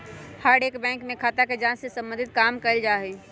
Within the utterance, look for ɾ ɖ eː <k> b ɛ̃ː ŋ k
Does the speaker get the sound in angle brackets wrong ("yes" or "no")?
no